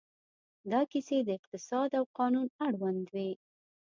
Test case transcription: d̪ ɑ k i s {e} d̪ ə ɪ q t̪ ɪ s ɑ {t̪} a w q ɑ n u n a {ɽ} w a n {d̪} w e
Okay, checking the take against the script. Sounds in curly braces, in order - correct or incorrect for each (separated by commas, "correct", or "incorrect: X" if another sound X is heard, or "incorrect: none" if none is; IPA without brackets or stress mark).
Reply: correct, incorrect: d̪, correct, correct